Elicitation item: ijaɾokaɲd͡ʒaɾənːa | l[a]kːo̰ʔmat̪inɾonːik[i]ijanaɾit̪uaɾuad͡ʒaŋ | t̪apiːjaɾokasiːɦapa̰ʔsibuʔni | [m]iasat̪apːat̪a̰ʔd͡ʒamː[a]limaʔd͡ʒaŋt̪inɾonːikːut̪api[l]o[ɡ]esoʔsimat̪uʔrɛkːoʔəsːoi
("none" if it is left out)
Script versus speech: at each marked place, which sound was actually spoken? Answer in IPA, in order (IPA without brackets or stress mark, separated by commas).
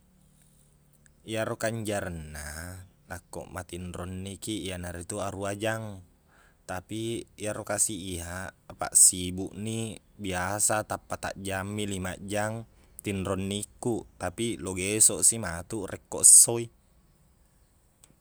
a, i, b, i, l, ɡ